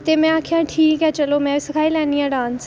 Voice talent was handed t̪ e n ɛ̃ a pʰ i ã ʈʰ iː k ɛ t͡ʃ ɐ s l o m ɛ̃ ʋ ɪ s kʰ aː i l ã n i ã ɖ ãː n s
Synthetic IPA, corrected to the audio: t̪ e m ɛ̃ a kʰ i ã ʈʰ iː k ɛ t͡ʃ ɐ l o m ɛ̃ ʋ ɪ s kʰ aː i l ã n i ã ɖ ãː n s